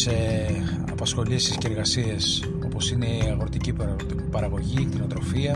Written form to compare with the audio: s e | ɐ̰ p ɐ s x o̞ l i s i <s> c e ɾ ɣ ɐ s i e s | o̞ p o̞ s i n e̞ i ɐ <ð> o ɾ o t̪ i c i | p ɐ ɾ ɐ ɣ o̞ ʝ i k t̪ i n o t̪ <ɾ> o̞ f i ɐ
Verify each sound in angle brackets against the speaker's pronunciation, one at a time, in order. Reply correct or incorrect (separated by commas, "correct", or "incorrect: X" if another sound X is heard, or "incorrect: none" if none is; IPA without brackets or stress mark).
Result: correct, incorrect: ɣ, correct